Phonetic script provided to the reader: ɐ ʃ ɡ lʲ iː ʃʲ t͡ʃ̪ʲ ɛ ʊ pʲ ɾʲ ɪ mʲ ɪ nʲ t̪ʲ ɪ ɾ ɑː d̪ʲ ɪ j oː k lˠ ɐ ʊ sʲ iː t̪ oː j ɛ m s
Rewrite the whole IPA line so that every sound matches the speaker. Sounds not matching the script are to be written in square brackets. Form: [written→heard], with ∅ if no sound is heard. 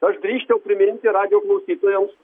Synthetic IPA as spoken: ɐ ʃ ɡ [lʲ→ɾʲ] iː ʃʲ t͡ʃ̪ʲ ɛ ʊ pʲ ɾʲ ɪ mʲ ɪ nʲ t̪ʲ ɪ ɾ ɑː d̪ʲ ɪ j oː k lˠ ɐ ʊ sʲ iː t̪ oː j ɛ m s